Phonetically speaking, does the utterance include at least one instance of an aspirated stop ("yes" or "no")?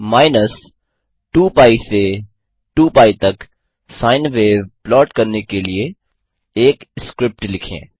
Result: yes